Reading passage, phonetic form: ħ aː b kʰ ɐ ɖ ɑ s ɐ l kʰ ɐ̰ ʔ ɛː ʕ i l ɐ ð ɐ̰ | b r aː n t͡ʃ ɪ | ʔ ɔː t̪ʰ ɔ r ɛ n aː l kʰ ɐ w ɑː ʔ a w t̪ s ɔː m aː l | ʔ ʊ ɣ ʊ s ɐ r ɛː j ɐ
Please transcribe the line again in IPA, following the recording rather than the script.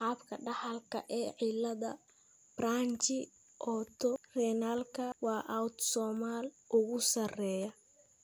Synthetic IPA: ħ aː b kʰ ɐ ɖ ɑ ħ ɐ l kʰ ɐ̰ ʔ ɛː ʕ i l ɐ ð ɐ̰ | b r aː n t͡ʃ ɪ | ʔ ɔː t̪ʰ ɔ r ɛ n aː l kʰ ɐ w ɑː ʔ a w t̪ s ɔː m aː l | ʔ ʊ ɣ ʊ s ɐ r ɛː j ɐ

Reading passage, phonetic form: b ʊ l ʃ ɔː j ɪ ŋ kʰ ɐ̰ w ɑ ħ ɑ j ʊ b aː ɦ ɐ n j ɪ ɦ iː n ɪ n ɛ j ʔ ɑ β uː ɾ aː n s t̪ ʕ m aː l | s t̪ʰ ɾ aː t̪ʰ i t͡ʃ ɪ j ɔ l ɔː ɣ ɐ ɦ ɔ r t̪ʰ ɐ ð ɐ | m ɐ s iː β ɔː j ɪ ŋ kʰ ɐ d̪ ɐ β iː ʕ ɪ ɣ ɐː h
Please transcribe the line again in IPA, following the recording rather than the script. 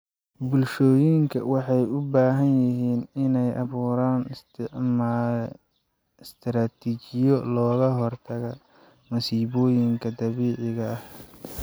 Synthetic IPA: b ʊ l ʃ ɔː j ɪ ŋ kʰ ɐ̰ w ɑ ħ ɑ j ʊ b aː ɦ ɐ n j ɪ ɦ iː n ɪ n ɛ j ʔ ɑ β uː ɾ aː n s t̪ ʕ m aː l | s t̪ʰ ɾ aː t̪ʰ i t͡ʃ ɪ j ɔ l ɔː ɣ ɐ ɦ ɔ r t̪ʰ ɐ ɣ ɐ | m ɐ s iː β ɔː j ɪ ŋ kʰ ɐ d̪ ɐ β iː ʕ ɪ ɣ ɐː h

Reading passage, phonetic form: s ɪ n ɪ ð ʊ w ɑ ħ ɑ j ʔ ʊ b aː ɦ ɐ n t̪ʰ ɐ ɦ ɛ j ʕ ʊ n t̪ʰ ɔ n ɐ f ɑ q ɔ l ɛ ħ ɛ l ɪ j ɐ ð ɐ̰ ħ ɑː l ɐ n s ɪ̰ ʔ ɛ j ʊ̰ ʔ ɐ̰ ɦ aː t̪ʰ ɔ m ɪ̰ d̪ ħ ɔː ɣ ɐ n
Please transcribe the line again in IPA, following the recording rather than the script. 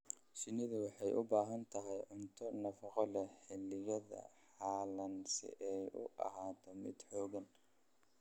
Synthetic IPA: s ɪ n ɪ ð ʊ w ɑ ħ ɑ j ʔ ʊ b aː ɦ ɐ n t̪ʰ ɐ ɦ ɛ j ʕ ʊ n t̪ʰ ɔ n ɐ f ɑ q ɔ l ɛ ħ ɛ l ɪ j ɐ ð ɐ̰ ħ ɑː l ɐ n s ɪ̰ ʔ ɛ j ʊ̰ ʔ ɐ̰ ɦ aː t̪ʰ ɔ m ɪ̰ d̪ ħ ɔː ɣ ɐ n

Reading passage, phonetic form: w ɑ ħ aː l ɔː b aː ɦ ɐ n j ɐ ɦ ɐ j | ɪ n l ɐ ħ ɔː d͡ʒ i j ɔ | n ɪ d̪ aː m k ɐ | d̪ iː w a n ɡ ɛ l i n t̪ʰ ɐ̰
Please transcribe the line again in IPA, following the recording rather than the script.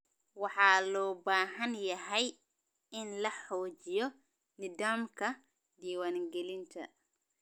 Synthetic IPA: w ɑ ħ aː l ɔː b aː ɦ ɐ n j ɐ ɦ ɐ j | ɪ n l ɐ ħ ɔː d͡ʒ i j ɔ | n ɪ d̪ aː m k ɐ | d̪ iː w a n ɡ ɛ l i n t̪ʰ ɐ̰

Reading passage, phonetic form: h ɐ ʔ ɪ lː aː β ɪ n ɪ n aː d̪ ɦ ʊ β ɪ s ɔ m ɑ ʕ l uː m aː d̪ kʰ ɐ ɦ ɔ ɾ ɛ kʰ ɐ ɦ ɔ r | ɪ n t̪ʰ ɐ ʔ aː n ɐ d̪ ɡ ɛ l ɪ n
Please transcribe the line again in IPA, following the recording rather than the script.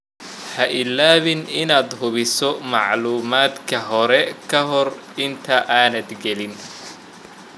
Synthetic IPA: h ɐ ʔ ɪ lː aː β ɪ n ɪ n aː d̪ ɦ ʊ β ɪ s ɔ m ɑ ʕ l uː m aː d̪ kʰ ɐ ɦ ɔ ɾ ɛ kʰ ɐ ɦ ɔ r | ɪ n t̪ʰ ɐ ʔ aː n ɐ d̪ ɡ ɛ l ɪ n

